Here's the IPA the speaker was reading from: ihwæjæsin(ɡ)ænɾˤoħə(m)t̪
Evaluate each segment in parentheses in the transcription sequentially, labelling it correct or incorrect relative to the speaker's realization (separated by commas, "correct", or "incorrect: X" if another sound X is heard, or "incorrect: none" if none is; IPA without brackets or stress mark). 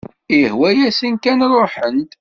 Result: incorrect: k, incorrect: n